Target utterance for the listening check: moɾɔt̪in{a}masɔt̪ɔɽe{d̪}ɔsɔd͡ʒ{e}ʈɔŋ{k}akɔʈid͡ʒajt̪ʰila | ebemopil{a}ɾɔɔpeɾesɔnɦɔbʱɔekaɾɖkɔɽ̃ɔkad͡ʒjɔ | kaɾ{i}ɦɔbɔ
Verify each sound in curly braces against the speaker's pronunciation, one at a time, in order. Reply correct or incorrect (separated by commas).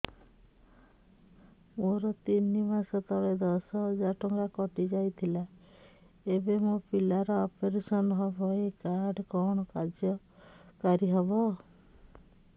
incorrect, correct, incorrect, incorrect, correct, correct